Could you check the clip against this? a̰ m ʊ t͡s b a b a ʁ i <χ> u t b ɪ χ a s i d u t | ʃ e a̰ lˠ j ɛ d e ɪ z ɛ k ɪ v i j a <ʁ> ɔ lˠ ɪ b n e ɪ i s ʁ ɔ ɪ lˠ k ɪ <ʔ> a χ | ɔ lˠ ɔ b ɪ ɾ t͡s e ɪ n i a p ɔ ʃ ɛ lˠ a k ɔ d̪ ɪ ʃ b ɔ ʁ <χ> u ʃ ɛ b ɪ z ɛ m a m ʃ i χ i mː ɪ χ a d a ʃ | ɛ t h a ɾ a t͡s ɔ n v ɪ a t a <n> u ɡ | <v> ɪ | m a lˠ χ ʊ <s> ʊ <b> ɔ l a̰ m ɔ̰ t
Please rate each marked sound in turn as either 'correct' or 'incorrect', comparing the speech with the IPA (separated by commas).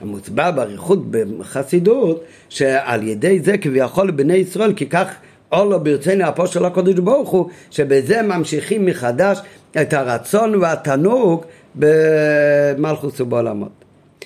correct, incorrect, incorrect, correct, correct, incorrect, correct, correct